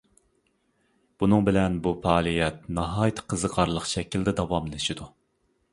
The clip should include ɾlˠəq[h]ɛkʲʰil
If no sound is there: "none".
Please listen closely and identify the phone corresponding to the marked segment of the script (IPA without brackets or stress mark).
ʃ